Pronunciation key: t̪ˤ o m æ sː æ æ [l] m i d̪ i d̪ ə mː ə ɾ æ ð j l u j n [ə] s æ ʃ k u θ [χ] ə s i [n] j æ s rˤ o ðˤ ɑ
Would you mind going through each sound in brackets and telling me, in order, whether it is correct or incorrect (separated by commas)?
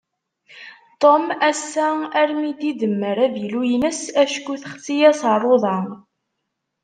incorrect, correct, correct, incorrect